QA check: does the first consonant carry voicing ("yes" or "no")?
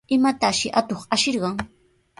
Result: yes